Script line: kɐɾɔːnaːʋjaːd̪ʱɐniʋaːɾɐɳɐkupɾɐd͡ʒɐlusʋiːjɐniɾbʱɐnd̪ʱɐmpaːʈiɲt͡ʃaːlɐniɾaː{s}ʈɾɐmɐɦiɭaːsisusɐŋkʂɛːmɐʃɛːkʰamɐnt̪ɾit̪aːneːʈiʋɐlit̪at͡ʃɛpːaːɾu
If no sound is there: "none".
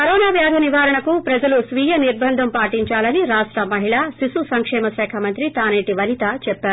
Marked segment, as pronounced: ʂ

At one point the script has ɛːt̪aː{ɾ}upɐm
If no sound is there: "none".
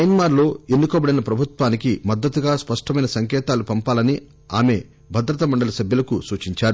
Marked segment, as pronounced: l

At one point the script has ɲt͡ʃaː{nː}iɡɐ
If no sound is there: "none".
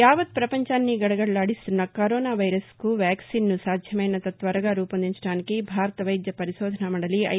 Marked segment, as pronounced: nː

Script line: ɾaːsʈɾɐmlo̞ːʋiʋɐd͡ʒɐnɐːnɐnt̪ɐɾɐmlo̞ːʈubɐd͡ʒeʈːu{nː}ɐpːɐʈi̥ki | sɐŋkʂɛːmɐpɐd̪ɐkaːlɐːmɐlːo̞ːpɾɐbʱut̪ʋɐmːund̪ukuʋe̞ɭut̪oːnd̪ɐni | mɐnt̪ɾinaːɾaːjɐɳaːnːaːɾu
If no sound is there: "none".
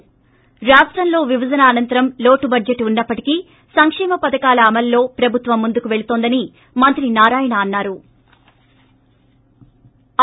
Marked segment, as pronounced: nː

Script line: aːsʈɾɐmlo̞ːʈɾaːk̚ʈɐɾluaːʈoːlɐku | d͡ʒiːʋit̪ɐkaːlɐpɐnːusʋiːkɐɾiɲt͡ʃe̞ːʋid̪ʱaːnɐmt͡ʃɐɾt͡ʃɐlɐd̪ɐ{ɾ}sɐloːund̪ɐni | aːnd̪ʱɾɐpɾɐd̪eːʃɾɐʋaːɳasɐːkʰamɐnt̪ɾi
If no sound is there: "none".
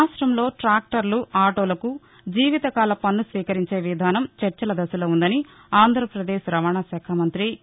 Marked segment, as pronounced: none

